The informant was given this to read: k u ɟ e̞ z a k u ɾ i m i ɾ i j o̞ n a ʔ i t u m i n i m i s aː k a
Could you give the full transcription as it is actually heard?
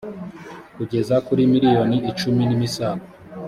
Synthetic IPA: k u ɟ e̞ z a k u ɾ i m i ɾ i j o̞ n i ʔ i t͡ʃ u m i n i m i s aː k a

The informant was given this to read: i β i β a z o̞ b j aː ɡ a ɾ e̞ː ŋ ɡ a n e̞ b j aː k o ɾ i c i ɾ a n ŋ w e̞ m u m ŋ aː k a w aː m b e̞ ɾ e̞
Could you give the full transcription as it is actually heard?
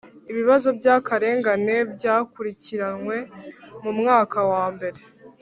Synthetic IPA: i β i β a z o̞ b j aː k a ɾ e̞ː ŋ ɡ a n e̞ b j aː k u ɾ i c i ɾ a n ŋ w e̞ m u m ŋ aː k a w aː m b e̞ ɾ e̞

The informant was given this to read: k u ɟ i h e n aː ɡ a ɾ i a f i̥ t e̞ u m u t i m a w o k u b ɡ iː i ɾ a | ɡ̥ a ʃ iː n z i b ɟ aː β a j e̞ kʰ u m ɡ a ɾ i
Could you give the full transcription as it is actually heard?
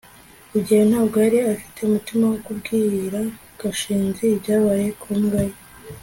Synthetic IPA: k u ɟ i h e n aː ɡ a ɾ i a f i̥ t e̞ u m u t i m a w o k u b ɡ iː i ɾ a | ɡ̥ a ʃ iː n z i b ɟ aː β a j e̞ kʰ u m ɡ a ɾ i

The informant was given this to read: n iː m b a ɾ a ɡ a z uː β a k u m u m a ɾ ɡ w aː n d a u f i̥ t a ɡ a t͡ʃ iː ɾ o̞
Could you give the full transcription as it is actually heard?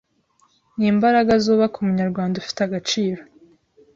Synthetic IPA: n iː m b a ɾ a ɡ a z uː β a k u m u ɲ a ɾ ɡ w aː n d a u f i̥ t a ɡ a t͡ʃ iː ɾ o̞

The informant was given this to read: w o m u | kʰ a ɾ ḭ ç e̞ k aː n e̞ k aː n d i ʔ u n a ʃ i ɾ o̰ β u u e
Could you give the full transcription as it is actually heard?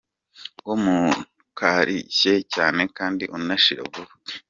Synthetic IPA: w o m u | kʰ a ɾ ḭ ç e̞ c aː n e̞ k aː n d i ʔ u n a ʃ i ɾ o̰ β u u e

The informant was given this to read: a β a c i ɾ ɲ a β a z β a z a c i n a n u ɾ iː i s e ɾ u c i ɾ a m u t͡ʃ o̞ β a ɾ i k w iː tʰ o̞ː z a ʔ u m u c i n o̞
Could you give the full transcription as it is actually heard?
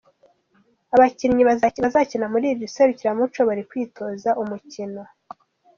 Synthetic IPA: a β a c i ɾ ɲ i β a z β a z a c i n a m u ɾ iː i s e ɾ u c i ɾ a m u t͡ʃ o̞ β a ɾ i k w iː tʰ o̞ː z a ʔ u m u c i n o̞

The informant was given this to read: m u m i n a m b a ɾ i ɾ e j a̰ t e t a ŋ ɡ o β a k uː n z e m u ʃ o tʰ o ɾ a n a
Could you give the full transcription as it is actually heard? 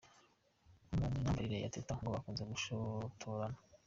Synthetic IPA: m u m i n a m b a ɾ i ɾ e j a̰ t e t a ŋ ɡ o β a k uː n z e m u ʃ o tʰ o ɾ a n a

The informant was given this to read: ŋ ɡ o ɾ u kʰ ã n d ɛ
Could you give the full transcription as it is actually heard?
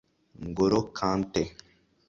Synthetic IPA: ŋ ɡ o ɾ o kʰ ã n t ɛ

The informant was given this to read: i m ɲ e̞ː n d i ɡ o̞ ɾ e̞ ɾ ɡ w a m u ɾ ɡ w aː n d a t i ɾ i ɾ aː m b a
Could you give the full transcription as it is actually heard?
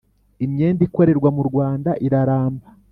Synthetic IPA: i m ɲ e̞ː n d i k o̞ ɾ e̞ ɾ ɡ w a m u ɾ ɡ w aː n d a ʔ i ɾ a ɾ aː m b a

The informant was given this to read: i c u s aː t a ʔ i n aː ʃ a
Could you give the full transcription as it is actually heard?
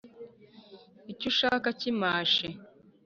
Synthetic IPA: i c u ʃ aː k a c i m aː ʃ e

